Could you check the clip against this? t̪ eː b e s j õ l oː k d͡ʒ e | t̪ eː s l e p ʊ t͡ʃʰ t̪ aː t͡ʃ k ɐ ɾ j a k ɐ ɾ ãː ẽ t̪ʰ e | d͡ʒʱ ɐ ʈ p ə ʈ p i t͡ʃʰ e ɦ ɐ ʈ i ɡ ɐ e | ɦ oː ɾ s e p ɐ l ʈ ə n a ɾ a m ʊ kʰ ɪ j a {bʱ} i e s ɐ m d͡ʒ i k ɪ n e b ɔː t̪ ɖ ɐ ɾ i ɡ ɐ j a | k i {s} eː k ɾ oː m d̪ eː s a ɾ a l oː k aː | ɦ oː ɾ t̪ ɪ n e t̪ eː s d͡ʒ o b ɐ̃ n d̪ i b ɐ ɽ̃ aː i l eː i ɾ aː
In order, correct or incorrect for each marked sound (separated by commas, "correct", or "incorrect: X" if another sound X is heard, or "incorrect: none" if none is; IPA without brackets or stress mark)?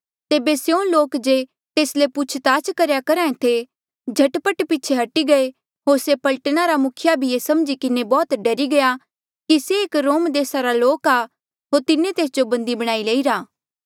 correct, correct